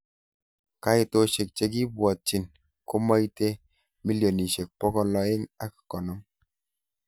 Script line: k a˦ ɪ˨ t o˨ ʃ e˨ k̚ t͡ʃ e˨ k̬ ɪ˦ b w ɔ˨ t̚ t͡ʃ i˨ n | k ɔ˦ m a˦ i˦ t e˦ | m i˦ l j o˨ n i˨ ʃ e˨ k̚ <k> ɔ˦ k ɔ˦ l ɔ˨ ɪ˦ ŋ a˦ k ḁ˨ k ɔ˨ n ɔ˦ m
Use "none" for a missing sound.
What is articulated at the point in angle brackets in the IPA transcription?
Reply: p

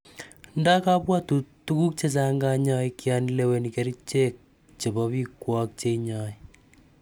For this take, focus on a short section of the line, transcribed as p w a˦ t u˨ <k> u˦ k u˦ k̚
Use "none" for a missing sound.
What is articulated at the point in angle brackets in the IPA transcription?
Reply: t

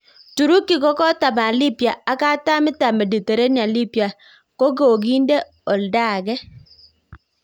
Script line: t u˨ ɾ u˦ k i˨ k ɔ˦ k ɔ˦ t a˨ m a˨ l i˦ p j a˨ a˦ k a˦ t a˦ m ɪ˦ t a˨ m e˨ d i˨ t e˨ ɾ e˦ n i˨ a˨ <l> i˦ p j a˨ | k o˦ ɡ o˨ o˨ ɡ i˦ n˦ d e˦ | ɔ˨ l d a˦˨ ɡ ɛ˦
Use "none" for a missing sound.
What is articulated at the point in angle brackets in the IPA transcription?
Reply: l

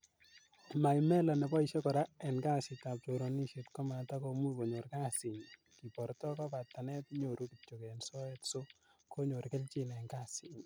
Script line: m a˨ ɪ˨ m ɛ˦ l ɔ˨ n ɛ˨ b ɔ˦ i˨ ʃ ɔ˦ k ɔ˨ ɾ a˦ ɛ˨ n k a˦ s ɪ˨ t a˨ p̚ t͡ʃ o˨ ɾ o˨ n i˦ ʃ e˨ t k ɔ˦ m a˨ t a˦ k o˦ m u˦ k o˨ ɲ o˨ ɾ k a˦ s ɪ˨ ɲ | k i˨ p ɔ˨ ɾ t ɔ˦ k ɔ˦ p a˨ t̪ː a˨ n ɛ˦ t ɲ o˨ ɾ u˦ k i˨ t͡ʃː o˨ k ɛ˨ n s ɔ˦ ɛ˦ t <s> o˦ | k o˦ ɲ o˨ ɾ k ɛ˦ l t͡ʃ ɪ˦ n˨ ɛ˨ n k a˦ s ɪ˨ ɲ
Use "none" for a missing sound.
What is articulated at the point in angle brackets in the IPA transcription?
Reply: s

